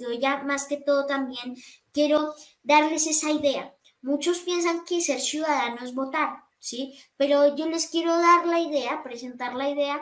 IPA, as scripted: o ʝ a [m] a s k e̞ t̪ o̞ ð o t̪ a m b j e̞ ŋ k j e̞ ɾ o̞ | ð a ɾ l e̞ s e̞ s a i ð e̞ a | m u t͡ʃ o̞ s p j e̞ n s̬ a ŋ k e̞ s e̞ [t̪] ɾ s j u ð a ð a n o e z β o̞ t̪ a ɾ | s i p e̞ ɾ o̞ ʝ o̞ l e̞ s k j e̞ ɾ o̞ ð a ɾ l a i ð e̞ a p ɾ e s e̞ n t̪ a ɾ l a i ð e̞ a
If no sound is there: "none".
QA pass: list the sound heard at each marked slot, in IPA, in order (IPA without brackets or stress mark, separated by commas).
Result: m, none